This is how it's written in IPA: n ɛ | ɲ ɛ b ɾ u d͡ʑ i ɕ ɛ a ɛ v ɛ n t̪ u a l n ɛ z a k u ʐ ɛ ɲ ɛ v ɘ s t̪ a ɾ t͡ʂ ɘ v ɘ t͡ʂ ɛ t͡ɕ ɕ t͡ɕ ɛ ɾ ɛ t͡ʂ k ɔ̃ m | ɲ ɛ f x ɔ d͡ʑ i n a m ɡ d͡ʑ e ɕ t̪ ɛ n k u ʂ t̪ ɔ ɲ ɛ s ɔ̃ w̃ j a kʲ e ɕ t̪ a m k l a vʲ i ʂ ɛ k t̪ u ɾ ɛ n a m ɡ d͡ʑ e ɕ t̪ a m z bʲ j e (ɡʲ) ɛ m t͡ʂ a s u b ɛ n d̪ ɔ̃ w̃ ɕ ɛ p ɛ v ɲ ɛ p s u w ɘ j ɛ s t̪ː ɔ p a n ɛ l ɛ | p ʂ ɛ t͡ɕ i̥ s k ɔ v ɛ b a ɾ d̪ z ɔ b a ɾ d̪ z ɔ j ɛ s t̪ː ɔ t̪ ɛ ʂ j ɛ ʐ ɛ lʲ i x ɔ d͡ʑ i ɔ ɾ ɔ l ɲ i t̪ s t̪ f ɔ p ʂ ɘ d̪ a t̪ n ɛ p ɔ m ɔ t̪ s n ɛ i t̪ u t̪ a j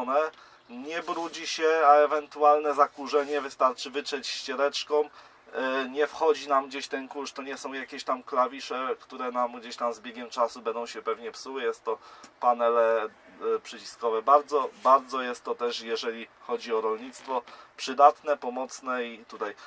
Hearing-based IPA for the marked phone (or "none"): ɡʲ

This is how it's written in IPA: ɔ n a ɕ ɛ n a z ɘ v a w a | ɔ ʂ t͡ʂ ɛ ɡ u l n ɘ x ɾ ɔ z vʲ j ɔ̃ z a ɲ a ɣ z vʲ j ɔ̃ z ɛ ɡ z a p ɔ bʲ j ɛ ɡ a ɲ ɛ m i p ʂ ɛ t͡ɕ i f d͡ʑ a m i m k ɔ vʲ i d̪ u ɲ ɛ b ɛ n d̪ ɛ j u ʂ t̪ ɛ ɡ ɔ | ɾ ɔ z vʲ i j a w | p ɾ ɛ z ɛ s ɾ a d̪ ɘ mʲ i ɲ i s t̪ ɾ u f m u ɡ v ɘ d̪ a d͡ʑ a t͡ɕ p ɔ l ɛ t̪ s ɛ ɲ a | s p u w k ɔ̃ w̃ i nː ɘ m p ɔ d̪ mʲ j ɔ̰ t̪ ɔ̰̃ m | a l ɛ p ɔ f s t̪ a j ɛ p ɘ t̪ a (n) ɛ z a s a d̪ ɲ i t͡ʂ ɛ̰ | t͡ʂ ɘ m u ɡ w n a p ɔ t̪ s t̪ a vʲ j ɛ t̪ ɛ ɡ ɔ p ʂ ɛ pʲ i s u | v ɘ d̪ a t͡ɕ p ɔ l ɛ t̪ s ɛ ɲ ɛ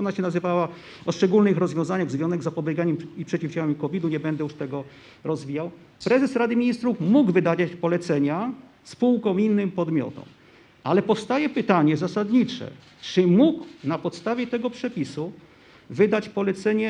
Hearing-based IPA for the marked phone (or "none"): ɲ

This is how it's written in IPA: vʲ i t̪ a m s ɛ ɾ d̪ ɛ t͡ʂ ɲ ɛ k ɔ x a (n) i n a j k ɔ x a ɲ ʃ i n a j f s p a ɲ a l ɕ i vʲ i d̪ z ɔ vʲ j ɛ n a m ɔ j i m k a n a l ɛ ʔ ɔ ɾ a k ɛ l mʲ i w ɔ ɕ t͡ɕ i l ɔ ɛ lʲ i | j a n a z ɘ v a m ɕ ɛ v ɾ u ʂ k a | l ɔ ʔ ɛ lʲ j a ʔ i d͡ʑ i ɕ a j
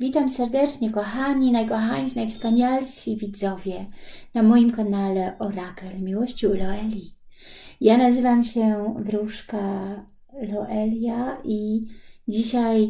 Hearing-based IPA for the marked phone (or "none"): ɲ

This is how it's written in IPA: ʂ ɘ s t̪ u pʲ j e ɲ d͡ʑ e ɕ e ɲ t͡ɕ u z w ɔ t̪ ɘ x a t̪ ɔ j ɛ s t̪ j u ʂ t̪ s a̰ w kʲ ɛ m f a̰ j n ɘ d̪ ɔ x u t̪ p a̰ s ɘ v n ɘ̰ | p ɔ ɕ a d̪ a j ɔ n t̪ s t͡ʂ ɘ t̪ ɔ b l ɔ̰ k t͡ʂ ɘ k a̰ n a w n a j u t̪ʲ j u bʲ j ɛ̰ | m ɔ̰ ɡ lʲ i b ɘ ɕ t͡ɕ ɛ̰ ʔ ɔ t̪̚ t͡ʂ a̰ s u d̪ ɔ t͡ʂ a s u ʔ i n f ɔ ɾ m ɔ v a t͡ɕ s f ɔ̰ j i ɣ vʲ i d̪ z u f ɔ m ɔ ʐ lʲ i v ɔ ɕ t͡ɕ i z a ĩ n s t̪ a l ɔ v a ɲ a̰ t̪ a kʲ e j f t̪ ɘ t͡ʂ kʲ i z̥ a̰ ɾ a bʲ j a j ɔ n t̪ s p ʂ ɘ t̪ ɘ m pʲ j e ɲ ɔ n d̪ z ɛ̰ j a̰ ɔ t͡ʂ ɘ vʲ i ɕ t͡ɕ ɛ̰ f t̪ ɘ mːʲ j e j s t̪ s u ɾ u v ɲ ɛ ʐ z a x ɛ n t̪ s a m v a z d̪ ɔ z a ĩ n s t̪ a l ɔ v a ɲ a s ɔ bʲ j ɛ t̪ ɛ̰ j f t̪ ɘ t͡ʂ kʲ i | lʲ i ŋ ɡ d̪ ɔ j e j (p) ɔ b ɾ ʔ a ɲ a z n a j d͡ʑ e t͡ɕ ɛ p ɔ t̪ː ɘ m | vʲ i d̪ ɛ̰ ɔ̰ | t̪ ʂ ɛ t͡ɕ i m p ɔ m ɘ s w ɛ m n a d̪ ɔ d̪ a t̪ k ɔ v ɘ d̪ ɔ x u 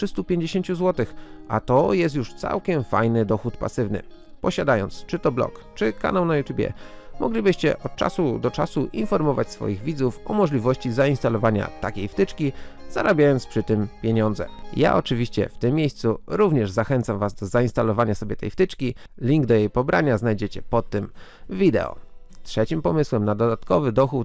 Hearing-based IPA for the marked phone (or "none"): p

